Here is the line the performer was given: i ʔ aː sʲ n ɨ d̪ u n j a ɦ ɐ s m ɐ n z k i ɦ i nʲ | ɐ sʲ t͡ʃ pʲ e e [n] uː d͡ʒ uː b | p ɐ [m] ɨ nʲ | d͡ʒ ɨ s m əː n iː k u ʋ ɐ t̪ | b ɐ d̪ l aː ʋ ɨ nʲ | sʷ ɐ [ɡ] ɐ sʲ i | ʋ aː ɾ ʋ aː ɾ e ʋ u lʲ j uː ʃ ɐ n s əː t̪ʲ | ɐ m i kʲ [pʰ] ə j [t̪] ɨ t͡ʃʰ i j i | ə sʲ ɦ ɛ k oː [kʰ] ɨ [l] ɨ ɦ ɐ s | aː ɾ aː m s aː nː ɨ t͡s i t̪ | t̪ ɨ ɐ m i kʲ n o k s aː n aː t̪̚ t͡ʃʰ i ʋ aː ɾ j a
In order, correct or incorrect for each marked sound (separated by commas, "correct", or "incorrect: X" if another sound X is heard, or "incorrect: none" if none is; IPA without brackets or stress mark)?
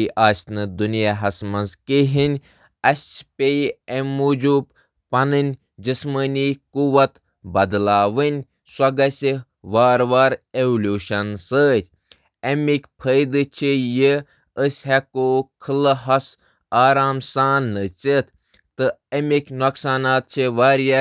incorrect: m, incorrect: n, correct, correct, incorrect: d̪, correct, correct